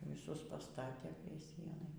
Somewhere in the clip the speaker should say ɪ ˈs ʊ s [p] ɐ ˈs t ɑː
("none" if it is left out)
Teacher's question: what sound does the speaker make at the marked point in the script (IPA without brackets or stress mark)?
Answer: p